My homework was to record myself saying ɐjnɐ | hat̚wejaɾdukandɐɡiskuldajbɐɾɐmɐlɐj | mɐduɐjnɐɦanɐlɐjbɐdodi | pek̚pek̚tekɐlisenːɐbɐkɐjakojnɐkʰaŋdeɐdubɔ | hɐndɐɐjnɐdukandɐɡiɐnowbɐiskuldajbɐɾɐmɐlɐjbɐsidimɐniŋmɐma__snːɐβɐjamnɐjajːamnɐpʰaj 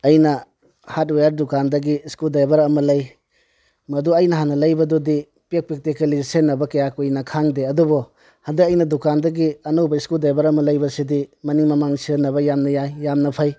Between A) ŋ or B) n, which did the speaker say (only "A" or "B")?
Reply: A